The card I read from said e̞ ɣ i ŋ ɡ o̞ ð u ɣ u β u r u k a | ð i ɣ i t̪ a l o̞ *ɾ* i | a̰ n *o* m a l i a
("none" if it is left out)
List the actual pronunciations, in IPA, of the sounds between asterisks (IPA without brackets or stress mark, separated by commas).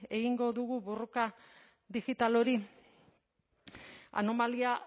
ɾ, o